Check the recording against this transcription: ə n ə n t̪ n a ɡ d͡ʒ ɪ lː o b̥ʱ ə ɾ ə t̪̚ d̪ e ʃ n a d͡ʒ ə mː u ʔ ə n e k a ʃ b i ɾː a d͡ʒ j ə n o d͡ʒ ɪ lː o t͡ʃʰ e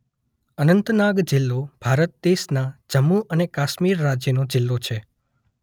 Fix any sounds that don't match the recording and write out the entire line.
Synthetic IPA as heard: ə n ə n t̪ n a ɡ d͡ʒ ɪ lː o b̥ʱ a ɾ ə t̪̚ d̪ e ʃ n a d͡ʒ ə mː u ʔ ə n e k a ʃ m i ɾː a d͡ʒ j ə n o d͡ʒ ɪ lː o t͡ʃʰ e